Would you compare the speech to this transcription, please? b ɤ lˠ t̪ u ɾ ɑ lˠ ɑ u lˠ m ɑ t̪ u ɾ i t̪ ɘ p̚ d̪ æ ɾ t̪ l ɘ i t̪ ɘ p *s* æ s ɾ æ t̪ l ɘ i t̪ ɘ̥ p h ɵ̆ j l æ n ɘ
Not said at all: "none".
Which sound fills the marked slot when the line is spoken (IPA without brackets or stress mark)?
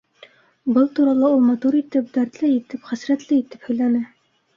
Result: χ